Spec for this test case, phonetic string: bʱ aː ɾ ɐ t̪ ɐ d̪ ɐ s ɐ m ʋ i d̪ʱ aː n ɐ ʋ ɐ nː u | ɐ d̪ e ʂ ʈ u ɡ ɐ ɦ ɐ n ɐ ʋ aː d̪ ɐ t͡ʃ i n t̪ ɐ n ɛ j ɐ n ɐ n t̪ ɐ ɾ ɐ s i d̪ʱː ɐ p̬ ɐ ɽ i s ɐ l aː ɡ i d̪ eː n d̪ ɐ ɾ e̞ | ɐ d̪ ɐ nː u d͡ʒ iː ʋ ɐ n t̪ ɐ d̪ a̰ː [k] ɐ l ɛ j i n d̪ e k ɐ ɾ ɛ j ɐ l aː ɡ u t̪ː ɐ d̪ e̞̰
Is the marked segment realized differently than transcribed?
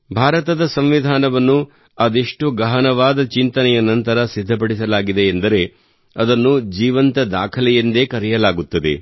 yes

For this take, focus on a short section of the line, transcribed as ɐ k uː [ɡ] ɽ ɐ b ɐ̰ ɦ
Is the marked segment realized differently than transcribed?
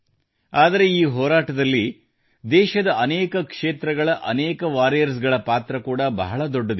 yes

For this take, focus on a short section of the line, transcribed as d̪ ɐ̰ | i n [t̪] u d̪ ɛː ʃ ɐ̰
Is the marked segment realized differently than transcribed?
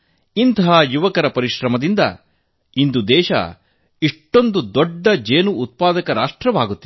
yes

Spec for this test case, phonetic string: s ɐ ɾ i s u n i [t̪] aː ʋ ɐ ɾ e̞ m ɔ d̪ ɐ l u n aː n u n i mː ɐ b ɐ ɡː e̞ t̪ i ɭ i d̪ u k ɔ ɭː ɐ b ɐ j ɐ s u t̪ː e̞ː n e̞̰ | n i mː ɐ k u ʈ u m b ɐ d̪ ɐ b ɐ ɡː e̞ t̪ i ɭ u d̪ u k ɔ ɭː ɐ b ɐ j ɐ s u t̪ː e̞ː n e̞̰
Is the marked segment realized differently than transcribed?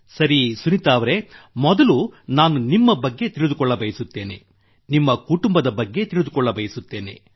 no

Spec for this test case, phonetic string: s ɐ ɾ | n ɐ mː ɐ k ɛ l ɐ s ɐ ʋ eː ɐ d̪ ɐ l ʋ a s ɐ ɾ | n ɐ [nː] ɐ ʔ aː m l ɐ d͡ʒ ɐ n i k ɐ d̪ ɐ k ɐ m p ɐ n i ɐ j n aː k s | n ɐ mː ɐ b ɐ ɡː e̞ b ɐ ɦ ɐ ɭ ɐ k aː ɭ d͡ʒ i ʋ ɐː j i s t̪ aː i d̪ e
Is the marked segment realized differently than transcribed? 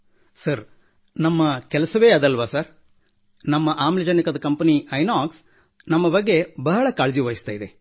yes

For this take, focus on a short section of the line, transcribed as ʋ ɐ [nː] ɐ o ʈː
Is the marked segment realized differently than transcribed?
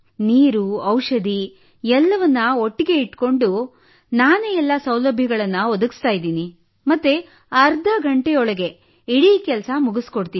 no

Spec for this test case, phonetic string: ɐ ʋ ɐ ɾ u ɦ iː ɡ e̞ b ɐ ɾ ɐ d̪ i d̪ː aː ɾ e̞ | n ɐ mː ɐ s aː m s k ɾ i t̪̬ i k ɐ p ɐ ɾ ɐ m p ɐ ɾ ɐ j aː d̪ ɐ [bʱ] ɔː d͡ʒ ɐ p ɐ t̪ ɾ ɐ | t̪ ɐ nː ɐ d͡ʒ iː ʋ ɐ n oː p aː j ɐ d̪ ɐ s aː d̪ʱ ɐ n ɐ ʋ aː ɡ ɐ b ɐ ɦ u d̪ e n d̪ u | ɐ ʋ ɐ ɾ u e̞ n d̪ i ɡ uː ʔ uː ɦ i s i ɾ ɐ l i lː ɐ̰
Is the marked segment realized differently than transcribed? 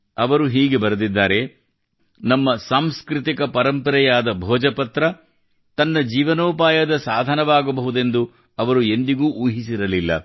no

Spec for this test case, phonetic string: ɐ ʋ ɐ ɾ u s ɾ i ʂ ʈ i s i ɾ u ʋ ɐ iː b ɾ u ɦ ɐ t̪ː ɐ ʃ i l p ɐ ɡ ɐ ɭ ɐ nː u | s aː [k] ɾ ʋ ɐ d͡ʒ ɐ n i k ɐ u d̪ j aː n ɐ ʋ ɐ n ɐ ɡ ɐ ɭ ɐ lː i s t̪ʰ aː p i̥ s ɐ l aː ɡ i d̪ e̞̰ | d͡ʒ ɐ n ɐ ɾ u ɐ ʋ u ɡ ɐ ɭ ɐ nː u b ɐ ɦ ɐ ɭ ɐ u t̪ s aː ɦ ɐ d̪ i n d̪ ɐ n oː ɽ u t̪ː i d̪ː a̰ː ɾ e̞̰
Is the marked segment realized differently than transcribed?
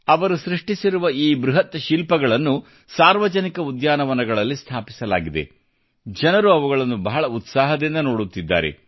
yes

